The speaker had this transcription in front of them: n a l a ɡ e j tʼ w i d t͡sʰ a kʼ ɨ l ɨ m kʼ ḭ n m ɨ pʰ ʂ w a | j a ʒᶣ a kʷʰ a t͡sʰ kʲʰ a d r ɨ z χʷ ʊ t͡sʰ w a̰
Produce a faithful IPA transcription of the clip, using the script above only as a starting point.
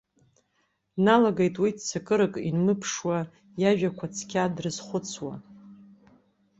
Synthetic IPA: n a l a ɡ e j tʼ w i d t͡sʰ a kʼ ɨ ɾ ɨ kʼ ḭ n m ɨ pʰ ʂ w a | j a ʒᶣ a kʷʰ a t͡sʰ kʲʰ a d r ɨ z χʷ ʊ t͡sʰ w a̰